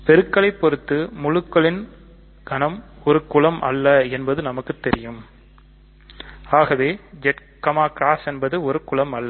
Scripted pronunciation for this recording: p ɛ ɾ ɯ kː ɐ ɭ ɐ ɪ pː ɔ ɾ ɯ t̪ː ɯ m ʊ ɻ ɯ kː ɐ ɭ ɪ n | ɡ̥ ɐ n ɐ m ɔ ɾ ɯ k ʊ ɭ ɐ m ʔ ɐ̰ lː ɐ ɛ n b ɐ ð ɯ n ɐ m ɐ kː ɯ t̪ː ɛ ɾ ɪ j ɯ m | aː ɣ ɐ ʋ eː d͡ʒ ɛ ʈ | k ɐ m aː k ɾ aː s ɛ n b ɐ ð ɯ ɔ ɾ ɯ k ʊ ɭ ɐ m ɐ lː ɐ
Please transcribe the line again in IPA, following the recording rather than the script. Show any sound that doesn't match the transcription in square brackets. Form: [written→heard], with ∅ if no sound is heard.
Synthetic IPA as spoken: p ɛ ɾ ɯ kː ɐ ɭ ɐ ɪ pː ɔ ɾ ɯ t̪ː ɯ m ʊ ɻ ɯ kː ɐ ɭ ɪ n | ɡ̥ ɐ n ɐ m ɔ ɾ ɯ k ʊ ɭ ɐ m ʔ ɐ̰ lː ɐ ɛ n b ɐ ð ɯ n ɐ m ɐ kː ɯ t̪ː ɛ ɾ ɪ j ɯ m | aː ɣ ɐ ʋ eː d͡ʒ ɛ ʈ | k ɐ m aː k ɾ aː s ɛ n b ɐ ð ɯ ɔ ɾ ɯ k ʊ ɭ ɐ m ɐ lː ɐ